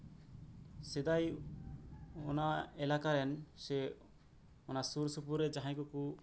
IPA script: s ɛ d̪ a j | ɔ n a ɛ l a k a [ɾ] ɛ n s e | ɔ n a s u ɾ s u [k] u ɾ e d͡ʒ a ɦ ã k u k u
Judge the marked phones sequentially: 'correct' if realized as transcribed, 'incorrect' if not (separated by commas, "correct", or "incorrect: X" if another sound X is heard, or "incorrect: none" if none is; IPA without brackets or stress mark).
correct, incorrect: p